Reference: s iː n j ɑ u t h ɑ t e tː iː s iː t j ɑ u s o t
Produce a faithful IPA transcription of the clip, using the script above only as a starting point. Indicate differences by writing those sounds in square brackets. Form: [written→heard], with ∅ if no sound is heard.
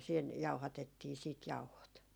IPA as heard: s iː n j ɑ u [t→∅] h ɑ t e tː iː s iː t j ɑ u [s→h] o t